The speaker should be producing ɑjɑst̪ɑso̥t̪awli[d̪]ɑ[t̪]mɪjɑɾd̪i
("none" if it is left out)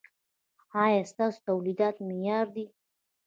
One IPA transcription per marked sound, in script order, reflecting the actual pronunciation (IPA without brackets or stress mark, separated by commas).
d̪, t̪